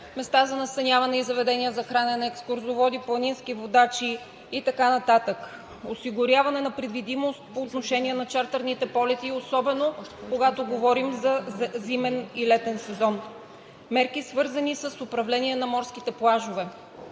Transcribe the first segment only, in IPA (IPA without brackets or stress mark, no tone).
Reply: m